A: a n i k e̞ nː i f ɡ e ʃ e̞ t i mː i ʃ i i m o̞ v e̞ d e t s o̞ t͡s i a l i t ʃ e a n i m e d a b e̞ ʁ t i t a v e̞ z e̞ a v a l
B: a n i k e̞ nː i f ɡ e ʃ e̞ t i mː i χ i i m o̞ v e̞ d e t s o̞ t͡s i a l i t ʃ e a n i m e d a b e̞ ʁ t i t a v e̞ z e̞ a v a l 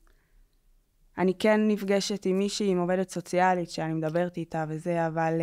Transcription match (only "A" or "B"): A